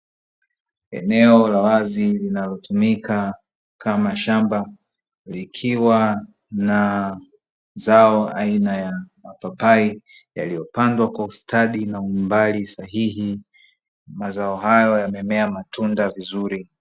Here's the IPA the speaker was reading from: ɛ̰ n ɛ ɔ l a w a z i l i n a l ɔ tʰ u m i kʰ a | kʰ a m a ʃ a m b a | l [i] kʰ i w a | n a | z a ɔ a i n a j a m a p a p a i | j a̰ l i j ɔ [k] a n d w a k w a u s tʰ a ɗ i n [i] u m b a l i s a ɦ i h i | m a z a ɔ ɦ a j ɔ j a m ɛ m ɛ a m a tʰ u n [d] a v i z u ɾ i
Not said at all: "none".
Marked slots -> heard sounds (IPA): i, p, a, d

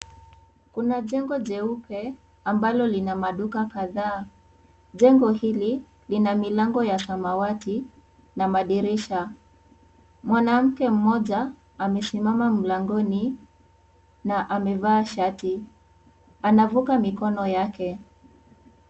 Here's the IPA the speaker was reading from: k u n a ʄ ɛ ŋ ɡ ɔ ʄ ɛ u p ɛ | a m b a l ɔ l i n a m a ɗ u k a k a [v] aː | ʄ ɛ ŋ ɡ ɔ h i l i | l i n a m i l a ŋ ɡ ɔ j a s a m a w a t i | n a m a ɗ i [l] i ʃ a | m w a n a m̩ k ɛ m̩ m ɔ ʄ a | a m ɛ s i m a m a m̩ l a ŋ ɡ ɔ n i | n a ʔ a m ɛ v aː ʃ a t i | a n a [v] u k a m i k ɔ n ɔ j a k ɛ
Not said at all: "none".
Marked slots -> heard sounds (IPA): ð, ɾ, v

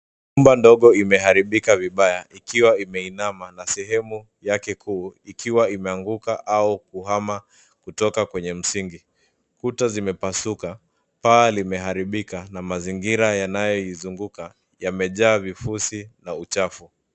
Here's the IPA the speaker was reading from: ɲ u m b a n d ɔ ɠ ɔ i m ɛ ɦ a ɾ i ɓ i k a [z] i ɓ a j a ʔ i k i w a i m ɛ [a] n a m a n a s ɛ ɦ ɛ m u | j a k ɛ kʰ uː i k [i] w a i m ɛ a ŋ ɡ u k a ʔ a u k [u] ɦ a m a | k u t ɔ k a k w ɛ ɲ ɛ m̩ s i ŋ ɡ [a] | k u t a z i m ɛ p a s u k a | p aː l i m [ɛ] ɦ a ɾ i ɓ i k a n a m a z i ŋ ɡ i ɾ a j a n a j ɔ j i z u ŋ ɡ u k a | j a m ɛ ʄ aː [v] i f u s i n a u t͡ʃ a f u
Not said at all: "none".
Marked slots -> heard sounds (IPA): v, i, i, u, i, ɛ, v

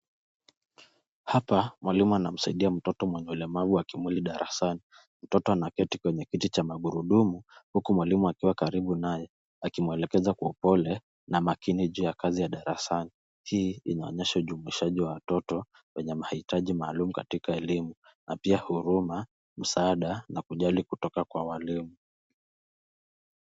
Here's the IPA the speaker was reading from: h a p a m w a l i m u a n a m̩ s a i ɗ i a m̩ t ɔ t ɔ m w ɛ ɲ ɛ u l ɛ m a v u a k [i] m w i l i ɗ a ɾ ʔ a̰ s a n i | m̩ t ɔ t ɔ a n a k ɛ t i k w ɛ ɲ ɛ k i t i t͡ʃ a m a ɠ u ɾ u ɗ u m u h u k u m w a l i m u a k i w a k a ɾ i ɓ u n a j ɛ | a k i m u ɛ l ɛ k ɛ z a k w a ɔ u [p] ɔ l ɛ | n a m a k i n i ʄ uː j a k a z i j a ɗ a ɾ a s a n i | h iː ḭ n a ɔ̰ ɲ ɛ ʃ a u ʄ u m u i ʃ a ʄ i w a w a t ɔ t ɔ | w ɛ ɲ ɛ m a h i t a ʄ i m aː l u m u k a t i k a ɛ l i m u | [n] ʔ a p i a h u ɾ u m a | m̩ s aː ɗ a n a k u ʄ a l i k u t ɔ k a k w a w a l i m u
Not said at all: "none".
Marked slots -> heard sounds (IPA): i, p, n

